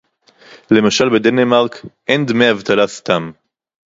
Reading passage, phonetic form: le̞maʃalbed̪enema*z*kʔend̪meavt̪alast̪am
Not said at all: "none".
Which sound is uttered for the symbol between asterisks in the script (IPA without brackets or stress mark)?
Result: ʁ